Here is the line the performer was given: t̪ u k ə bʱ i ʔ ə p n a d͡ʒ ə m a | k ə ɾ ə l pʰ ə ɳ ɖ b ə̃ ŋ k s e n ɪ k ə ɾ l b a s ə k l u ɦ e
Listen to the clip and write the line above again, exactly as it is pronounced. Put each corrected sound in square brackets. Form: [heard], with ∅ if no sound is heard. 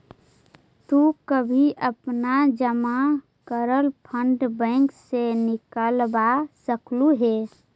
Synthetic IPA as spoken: t̪ u k ə bʱ i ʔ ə p n a d͡ʒ ə m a | k ə ɾ ə l pʰ ə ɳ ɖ b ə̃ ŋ k s e n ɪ k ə [∅] l b a s ə k l u ɦ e